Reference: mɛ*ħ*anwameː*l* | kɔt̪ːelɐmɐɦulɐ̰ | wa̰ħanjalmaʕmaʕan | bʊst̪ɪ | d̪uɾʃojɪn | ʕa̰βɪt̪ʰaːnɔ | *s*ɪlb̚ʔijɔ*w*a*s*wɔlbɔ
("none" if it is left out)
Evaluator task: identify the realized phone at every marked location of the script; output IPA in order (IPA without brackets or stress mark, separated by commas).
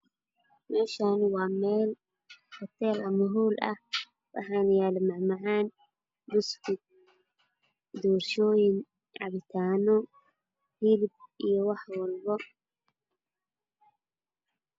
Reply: ʃ, l, h, w, ħ